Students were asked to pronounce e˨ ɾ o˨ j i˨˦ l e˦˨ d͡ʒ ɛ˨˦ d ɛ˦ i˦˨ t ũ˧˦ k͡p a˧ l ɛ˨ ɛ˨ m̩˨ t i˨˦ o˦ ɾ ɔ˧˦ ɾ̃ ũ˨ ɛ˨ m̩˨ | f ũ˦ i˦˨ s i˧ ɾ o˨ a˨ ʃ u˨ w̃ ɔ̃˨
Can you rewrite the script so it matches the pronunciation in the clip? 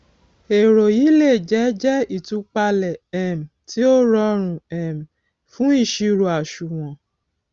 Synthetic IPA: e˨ ɾ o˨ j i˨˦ l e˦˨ d͡ʒ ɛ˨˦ d͡ʒ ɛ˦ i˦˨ t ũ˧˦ k͡p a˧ l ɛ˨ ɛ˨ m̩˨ t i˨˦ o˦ ɾ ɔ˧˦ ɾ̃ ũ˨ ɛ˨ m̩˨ | f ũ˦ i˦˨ ʃ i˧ ɾ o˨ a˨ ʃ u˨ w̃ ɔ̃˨